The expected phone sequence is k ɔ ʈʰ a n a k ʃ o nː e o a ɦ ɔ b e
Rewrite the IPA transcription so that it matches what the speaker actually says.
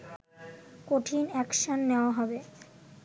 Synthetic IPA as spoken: k o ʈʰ i n ɛ k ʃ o nː e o a ɦ ɔ b e